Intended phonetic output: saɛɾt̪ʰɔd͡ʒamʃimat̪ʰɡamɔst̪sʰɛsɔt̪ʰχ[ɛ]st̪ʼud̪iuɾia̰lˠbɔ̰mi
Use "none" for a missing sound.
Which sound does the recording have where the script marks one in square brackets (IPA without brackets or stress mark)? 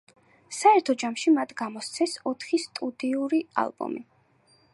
i